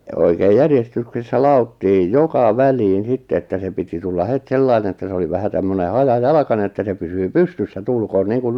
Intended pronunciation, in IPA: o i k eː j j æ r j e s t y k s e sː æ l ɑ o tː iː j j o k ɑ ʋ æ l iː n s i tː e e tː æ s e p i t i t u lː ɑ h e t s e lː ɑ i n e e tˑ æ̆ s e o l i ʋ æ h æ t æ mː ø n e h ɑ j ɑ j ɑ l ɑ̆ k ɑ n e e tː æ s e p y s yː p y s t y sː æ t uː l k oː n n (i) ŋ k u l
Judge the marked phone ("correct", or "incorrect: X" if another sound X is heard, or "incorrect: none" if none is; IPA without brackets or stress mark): incorrect: iː